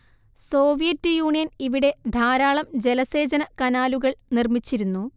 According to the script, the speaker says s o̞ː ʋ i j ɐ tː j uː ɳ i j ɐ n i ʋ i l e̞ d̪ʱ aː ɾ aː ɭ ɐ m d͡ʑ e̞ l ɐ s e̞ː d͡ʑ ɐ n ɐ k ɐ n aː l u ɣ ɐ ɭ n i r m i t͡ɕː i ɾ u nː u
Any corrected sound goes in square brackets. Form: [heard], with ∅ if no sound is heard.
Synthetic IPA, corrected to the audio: s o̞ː ʋ i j ɐ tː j uː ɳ i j ɐ n i ʋ i [ɽ] e̞ d̪ʱ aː ɾ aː ɭ ɐ m d͡ʑ e̞ l ɐ s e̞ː d͡ʑ ɐ n ɐ k ɐ n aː l u ɣ ɐ ɭ n i r m i t͡ɕː i ɾ u nː u